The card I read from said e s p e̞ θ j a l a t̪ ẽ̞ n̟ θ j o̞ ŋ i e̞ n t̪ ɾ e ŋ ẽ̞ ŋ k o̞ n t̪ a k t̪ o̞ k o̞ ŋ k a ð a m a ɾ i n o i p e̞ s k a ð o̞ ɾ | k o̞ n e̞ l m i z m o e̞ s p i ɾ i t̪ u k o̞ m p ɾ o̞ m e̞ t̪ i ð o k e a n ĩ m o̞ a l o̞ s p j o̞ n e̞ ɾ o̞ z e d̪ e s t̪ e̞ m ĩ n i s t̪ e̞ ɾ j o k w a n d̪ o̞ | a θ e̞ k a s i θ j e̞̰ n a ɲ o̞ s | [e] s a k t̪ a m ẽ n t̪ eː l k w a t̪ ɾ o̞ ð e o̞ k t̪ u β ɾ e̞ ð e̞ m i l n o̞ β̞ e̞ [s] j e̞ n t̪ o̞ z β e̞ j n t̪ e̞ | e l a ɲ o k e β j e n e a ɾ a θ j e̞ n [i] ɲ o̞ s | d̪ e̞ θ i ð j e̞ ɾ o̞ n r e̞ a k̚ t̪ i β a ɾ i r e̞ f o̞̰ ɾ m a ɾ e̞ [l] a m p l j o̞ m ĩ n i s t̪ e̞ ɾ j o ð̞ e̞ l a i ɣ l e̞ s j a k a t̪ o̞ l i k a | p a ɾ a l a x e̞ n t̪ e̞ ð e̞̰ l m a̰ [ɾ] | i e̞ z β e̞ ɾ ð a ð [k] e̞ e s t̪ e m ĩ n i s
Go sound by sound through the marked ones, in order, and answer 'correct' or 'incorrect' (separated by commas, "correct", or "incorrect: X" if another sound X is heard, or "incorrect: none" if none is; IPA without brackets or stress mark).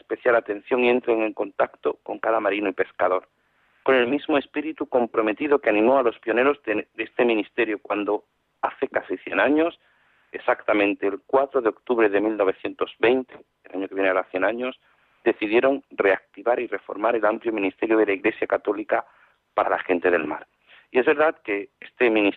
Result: correct, incorrect: θ, incorrect: a, correct, correct, correct